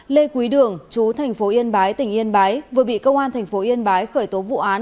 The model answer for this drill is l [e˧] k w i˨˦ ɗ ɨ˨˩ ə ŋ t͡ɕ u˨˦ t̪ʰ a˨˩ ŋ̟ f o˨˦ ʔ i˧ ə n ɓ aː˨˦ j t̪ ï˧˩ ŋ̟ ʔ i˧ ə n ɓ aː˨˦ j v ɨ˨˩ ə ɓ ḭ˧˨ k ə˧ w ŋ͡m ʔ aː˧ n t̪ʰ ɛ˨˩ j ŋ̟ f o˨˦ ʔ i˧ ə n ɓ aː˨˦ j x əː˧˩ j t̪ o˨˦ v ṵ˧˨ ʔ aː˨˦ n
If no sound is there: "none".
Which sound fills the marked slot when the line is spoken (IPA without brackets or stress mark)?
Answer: e˧